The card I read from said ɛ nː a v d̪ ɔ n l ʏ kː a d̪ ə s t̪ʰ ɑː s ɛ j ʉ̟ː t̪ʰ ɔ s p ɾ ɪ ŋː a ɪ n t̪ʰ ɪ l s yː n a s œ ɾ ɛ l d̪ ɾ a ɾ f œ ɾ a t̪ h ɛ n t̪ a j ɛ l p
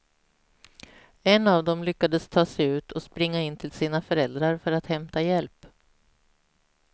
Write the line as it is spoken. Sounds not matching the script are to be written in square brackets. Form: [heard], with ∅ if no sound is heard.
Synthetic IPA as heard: ɛ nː a v d̪ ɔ [m] l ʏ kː a d̪ ə s t̪ʰ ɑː s ɛ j ʉ̟ː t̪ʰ ɔ s p ɾ ɪ ŋː a ɪ n t̪ʰ ɪ l s [iː] n a [f] œ ɾ ɛ l d̪ ɾ a ɾ f œ ɾ a t̪ h ɛ [m] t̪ a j ɛ l p